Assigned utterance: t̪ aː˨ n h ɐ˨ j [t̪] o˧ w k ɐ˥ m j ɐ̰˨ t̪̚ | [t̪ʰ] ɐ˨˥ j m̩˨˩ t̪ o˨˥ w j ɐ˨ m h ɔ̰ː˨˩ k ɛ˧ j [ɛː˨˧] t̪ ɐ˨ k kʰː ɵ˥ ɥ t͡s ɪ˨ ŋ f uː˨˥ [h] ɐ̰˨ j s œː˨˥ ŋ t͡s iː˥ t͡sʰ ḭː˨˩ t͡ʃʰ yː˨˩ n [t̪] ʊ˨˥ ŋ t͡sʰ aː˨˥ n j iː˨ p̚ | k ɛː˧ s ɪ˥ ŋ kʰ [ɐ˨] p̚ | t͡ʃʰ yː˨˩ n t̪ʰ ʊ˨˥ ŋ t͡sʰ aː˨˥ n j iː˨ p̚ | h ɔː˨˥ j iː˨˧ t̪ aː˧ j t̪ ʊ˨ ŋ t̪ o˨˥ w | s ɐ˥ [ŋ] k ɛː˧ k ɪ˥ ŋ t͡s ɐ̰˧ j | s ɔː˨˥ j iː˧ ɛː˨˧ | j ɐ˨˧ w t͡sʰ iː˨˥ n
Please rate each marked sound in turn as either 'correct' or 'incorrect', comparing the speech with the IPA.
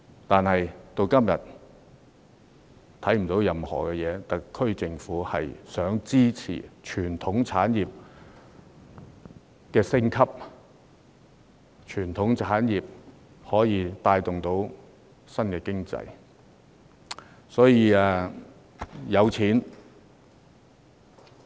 correct, correct, correct, correct, incorrect: t̪ʰ, incorrect: ɐ˥, incorrect: n

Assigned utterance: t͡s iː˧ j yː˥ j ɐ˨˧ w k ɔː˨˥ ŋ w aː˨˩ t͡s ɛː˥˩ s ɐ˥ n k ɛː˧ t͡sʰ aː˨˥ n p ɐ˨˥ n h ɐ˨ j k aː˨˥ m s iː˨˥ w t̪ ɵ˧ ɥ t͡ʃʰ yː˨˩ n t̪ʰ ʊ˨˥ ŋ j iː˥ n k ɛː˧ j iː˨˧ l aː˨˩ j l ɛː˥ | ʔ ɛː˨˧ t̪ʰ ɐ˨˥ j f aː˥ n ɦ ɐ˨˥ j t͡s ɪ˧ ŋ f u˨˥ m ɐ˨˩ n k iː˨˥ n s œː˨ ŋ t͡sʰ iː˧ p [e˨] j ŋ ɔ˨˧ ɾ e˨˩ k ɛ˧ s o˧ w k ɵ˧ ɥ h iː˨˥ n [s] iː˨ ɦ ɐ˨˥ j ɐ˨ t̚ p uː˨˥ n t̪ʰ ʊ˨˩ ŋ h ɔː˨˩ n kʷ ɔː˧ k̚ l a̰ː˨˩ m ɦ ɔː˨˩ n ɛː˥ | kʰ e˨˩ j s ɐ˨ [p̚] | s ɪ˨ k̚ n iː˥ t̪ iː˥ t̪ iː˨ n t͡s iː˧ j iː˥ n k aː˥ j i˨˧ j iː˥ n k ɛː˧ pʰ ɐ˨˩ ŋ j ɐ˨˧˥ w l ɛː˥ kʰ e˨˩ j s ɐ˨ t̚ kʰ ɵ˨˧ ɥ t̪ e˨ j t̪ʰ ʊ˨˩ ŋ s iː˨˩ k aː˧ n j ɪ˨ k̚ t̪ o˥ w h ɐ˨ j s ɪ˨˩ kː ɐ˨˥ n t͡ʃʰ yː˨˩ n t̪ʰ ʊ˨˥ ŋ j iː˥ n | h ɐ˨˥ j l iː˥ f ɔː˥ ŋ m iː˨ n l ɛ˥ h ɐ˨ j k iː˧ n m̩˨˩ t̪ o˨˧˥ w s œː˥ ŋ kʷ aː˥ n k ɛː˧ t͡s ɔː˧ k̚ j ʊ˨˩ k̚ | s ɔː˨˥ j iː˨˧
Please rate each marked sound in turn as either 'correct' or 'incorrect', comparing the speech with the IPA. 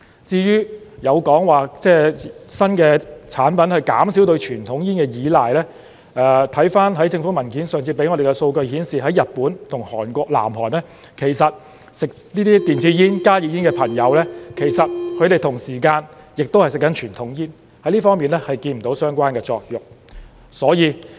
incorrect: e˨˥, correct, incorrect: t̚

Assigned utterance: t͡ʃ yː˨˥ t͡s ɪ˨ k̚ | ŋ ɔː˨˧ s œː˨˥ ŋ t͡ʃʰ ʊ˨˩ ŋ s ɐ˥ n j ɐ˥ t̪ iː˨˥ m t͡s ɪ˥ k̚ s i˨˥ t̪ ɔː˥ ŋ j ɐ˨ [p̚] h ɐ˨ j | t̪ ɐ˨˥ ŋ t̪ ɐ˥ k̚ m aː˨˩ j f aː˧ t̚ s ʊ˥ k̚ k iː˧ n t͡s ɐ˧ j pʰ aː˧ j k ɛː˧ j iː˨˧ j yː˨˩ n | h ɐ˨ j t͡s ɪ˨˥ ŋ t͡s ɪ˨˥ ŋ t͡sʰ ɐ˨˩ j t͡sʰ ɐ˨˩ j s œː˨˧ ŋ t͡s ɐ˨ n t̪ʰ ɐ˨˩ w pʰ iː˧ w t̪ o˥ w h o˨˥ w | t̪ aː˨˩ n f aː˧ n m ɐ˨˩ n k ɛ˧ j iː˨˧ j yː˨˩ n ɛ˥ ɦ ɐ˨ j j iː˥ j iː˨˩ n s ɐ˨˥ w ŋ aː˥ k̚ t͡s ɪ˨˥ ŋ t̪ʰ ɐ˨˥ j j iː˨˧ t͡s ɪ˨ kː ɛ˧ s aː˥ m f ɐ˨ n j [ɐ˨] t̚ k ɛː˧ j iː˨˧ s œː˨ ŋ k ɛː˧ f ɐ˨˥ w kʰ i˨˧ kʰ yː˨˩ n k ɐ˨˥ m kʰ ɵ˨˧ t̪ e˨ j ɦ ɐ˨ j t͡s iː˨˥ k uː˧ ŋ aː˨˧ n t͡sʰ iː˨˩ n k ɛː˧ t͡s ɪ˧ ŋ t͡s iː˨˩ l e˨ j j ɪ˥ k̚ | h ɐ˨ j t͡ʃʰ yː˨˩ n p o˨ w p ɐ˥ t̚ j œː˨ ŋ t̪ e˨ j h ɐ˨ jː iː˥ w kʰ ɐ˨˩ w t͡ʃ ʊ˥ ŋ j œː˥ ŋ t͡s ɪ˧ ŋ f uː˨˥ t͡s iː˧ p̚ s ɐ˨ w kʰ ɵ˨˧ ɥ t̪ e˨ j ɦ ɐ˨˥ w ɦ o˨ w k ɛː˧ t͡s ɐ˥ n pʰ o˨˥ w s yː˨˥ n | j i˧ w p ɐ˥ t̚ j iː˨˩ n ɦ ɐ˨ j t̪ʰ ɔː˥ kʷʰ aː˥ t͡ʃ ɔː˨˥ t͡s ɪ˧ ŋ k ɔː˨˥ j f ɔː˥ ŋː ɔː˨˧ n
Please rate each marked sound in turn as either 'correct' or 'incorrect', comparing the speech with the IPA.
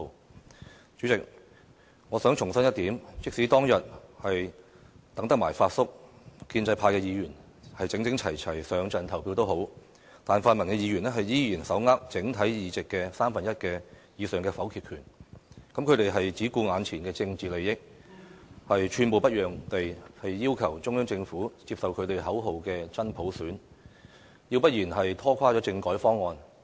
incorrect: t̚, incorrect: ɐ˥

